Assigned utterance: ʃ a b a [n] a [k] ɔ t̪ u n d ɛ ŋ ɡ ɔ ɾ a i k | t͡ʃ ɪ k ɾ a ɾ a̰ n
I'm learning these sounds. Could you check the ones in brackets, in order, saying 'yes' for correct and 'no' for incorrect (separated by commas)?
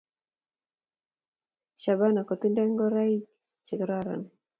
yes, yes